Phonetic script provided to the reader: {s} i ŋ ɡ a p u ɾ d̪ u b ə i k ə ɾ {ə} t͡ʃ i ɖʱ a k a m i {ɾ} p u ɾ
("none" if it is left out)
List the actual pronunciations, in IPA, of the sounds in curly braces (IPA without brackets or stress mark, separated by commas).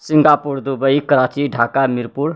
s, a, ɾ